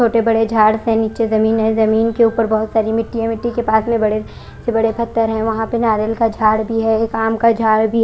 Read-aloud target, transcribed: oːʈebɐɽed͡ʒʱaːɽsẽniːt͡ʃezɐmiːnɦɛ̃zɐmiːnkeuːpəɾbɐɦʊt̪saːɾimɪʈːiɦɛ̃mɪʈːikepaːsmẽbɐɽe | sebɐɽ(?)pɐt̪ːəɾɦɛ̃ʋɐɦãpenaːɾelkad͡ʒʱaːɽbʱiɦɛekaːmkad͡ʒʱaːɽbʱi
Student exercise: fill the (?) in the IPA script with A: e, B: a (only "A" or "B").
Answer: A